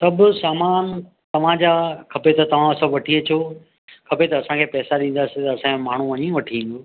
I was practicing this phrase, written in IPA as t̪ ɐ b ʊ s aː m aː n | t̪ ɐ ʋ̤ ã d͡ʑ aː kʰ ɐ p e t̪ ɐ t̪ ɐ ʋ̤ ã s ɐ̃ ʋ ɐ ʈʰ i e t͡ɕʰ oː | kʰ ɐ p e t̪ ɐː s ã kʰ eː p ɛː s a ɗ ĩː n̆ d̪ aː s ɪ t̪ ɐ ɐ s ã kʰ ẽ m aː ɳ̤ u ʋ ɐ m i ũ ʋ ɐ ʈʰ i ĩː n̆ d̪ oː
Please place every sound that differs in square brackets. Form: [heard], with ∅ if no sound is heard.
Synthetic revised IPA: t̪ ɐ b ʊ s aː m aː n | t̪ ɐ ʋ̤ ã d͡ʑ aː kʰ ɐ p e t̪ ɐ t̪ ɐ ʋ̤ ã s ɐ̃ ʋ ɐ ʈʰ i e t͡ɕʰ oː | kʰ ɐ p e t̪ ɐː s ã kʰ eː p ɛː s a ɗ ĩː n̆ d̪ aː s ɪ t̪ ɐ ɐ s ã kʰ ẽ m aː ɳ̤ u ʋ ɐ [ɲ] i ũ ʋ ɐ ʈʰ i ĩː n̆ d̪ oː